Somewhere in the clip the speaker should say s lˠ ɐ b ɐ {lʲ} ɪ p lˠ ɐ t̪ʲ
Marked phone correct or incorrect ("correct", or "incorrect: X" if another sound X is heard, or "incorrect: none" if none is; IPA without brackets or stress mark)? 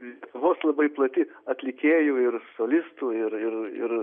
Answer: incorrect: none